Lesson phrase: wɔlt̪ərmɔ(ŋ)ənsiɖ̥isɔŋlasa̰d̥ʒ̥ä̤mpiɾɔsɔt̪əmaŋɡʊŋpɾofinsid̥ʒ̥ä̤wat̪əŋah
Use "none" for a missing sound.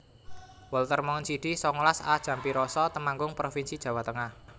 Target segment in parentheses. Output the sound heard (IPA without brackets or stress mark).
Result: ŋ